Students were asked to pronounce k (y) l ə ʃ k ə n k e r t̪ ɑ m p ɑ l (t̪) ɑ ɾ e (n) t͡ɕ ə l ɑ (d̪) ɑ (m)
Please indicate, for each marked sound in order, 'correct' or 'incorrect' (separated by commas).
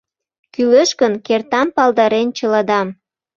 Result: correct, incorrect, correct, correct, correct